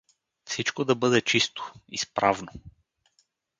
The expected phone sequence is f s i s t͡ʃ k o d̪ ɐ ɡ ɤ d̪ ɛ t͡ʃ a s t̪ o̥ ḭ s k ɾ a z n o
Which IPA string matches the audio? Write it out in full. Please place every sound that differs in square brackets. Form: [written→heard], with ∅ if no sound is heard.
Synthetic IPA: f s i [s→∅] t͡ʃ k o d̪ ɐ [ɡ→b] ɤ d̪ ɛ t͡ʃ [a→i] s t̪ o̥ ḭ s [k→p] ɾ a [z→v] n o